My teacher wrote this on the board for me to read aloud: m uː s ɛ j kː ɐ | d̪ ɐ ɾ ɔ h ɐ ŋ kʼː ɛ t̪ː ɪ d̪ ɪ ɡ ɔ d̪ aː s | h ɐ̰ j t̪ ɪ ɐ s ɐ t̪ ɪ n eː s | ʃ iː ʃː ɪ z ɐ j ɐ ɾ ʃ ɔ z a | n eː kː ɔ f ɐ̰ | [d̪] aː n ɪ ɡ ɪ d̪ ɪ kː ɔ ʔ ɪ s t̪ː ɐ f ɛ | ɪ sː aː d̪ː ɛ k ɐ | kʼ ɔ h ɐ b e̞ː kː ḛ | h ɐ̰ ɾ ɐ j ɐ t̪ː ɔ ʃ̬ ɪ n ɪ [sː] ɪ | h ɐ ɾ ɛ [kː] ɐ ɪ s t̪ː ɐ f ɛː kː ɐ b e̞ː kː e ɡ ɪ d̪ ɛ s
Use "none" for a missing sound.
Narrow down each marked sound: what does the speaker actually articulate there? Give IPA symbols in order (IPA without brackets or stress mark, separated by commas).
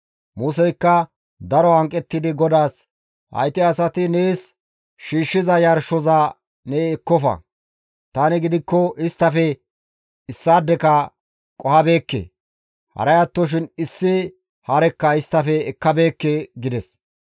t̪, sː, kː